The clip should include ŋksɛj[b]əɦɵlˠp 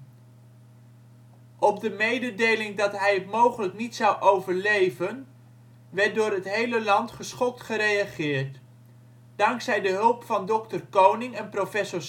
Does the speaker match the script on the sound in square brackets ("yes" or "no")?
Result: no